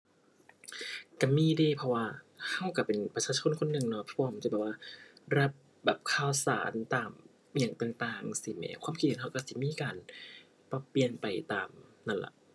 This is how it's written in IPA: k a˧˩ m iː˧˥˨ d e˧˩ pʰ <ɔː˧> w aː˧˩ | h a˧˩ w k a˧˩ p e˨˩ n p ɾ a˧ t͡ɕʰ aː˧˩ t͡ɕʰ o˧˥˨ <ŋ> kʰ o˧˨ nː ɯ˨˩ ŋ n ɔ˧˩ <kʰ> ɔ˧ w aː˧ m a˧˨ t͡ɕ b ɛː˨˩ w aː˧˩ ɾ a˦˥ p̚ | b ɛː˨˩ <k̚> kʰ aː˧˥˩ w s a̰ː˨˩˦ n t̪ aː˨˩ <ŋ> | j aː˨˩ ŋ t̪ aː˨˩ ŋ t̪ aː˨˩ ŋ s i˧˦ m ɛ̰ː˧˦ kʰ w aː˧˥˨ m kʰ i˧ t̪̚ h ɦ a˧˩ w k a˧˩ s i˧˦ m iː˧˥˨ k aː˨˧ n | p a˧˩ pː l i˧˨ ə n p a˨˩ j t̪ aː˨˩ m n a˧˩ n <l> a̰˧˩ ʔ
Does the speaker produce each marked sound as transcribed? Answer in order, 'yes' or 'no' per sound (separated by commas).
no, no, no, no, no, yes